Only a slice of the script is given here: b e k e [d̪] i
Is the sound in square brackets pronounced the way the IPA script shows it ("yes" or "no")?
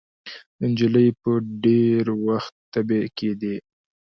yes